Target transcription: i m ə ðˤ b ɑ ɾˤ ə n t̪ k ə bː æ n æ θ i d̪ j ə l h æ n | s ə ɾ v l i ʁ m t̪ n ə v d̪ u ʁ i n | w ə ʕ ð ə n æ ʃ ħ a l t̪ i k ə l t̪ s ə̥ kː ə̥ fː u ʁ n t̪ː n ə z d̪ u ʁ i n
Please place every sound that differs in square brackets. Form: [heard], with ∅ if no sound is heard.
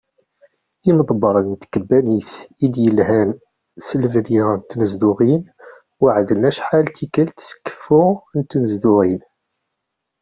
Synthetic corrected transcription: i m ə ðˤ b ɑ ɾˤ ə n t̪ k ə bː æ n [i] θ i d̪ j ə l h æ n | s ə [l] v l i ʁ [n] t̪ n ə [z] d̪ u ʁ i n | w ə ʕ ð ə n æ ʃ ħ a l t̪ i k ə l t̪ s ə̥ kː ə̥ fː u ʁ n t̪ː n ə z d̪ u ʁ i n